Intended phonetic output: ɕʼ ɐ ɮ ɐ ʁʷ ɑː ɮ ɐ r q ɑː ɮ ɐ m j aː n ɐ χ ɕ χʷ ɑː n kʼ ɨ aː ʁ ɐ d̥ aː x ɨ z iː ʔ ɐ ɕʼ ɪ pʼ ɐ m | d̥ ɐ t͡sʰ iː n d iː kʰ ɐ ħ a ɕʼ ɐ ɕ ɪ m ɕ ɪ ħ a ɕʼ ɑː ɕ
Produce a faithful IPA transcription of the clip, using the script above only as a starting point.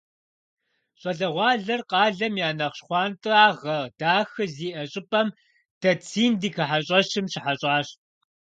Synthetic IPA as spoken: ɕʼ ɐ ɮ ɐ ʁʷ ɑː ɮ ɐ r q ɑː ɮ ɐ m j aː n ɐ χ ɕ χʷ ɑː n tʼ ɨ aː ʁ ɐ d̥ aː x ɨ z iː ʔ ɐ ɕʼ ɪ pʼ ɐ m | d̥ ɐ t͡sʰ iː n d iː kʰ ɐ ħ a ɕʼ ɐ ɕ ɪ m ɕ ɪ ħ a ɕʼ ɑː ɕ